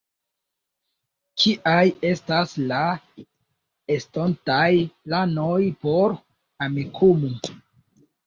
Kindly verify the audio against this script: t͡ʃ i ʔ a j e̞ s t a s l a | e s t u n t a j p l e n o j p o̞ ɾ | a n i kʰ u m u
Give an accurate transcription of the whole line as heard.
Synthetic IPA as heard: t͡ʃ i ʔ a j e̞ s t a s l a | e s t o n t a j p l a n o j p o̞ ɾ | a m i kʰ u m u